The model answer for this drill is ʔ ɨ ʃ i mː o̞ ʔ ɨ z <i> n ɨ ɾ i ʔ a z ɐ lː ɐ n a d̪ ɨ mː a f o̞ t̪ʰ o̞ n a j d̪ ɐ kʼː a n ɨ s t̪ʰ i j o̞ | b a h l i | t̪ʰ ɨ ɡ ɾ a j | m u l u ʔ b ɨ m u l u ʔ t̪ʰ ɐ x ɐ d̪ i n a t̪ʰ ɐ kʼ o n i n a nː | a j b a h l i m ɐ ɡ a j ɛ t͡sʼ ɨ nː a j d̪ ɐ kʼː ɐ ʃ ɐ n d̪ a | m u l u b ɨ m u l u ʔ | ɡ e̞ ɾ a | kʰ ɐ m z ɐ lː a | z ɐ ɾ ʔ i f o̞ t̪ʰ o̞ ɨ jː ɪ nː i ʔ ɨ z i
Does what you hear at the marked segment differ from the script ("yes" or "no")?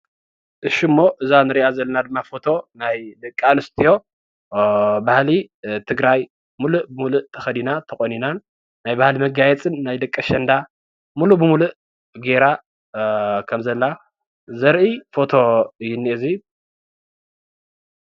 yes